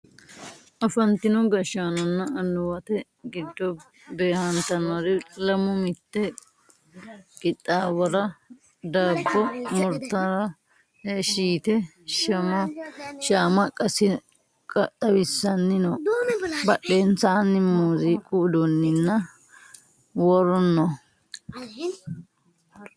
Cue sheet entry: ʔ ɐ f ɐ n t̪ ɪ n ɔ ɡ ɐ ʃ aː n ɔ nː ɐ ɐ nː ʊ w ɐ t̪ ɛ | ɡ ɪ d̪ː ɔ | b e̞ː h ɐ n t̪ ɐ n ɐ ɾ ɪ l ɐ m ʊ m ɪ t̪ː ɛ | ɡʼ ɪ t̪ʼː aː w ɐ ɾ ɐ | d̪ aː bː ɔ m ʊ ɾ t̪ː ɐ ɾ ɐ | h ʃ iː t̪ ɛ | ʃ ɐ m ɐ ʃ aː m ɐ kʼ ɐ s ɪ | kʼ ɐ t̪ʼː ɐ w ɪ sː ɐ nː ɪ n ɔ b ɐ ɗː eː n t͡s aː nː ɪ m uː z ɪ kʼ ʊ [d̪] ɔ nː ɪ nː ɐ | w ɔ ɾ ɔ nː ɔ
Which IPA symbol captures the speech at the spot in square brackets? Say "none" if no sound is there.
d̪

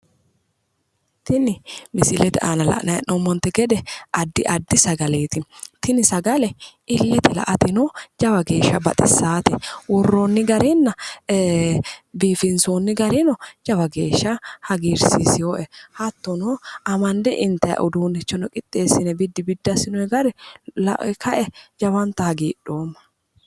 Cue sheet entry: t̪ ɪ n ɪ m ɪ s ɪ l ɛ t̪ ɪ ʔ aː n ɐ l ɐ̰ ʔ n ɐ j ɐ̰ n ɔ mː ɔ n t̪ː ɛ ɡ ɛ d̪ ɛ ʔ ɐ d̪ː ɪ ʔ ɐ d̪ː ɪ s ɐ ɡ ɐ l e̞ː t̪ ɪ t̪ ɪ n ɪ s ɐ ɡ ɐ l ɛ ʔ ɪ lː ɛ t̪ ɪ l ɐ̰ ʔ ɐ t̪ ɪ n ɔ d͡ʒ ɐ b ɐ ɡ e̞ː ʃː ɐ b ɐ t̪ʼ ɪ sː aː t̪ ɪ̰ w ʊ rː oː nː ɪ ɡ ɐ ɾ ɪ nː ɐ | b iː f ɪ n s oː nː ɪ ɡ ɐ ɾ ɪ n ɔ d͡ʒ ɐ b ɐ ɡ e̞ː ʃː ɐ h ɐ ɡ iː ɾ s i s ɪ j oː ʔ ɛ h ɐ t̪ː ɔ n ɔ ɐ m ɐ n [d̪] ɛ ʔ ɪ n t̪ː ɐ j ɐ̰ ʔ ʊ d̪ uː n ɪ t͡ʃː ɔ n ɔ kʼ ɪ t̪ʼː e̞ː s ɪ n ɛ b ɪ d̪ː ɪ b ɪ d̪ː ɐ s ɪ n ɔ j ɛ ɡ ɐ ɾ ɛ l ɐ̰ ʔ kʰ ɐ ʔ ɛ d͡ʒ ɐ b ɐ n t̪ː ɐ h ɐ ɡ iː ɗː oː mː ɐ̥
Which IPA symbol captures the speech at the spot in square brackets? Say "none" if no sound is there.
d̪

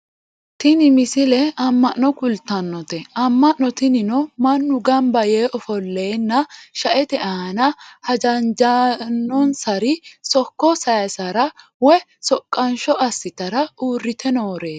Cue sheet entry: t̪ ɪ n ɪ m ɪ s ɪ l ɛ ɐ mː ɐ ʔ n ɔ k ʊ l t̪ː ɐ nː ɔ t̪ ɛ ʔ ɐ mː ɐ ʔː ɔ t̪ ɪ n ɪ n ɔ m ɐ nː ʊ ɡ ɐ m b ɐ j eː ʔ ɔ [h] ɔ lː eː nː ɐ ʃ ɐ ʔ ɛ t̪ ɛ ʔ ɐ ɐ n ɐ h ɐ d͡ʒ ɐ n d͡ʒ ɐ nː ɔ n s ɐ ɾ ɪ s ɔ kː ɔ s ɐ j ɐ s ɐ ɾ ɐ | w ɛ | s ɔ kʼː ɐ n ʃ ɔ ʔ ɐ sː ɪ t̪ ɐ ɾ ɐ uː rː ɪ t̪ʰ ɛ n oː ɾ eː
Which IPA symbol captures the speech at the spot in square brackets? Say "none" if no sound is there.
f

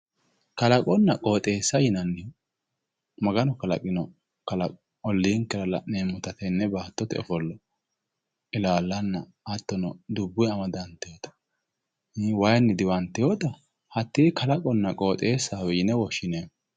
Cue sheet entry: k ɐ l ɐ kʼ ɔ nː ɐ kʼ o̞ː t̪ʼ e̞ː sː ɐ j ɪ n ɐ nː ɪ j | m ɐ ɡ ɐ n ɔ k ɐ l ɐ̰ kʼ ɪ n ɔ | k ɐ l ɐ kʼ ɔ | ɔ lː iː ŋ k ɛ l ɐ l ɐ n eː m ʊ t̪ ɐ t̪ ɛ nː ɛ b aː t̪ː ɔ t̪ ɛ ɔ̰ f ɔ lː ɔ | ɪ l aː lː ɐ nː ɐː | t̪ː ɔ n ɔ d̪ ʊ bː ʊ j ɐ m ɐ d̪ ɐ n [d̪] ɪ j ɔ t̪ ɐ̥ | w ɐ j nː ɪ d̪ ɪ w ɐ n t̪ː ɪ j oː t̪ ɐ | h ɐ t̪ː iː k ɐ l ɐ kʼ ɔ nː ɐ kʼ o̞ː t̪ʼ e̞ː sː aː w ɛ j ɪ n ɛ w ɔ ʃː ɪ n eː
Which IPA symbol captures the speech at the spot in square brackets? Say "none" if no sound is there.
t̪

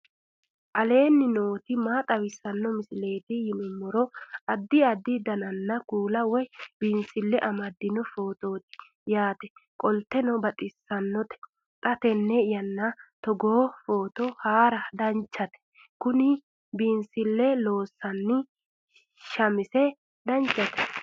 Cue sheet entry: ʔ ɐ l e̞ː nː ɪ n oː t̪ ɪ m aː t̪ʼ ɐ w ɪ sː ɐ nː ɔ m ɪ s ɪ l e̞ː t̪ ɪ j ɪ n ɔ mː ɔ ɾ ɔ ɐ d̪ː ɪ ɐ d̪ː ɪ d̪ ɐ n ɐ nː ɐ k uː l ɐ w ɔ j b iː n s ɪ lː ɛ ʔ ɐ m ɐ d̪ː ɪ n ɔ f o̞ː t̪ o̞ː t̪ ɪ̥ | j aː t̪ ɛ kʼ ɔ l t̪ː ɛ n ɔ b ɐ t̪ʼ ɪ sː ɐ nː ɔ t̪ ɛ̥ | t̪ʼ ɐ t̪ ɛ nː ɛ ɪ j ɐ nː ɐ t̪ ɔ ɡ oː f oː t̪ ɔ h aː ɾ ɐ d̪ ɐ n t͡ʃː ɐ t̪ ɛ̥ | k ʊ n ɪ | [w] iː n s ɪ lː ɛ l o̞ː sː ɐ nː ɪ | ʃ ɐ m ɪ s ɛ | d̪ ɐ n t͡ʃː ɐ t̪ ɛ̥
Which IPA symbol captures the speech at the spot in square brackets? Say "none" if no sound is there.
b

